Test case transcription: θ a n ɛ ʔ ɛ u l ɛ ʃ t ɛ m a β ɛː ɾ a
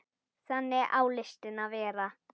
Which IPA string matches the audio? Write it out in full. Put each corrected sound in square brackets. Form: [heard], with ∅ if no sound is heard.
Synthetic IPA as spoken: [s] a n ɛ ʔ [a] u l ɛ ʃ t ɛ [n] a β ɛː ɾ a